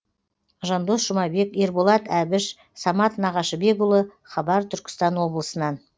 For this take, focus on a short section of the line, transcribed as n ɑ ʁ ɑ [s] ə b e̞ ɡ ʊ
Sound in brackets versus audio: incorrect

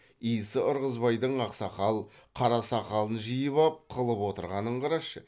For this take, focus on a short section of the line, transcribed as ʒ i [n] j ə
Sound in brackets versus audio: incorrect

